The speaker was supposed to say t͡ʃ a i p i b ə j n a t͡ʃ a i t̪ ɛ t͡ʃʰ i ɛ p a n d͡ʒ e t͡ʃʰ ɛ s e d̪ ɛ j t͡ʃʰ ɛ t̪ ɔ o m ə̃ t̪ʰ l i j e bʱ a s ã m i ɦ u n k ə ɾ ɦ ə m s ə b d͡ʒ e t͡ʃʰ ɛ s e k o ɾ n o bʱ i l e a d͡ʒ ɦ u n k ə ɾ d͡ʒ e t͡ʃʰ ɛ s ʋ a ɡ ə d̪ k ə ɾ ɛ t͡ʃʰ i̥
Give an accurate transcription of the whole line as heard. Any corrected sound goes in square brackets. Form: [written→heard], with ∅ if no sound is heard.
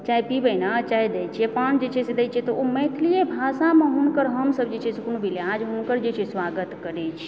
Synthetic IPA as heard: t͡ʃ a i p i b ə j n a t͡ʃ a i [t̪→d̪] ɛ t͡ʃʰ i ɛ p a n d͡ʒ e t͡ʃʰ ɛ s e d̪ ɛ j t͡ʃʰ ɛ t̪ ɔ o m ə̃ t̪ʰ l i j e bʱ a s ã m [i→e] ɦ u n k ə ɾ ɦ ə m s ə b d͡ʒ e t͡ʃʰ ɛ s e k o [ɾ→∅] n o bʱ i l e a d͡ʒ ɦ u n k ə ɾ d͡ʒ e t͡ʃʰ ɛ s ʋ a ɡ ə [d̪→t̪] k ə ɾ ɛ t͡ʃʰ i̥